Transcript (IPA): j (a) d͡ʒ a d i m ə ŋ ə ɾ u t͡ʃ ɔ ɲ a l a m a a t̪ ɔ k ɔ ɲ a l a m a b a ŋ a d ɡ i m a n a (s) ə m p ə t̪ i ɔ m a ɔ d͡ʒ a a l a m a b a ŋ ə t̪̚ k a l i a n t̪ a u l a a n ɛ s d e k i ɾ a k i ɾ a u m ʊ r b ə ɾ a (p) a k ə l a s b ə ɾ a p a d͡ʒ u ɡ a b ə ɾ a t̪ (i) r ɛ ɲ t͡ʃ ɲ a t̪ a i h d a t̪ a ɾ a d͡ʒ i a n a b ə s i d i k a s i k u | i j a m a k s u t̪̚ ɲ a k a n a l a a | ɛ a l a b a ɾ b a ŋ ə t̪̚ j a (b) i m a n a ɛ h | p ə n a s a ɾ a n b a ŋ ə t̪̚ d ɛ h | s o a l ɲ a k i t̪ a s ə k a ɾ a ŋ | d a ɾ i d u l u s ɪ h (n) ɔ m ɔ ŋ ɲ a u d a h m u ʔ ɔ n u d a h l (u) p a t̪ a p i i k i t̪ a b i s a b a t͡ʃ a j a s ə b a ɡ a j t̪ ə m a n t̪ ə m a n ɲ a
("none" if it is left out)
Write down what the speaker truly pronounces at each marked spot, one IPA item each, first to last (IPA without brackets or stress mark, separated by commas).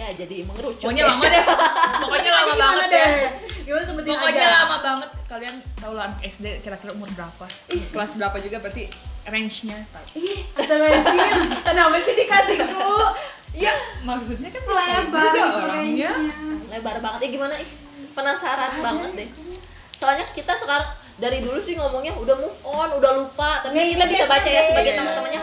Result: a, s, p, i, ɡ, ŋ, u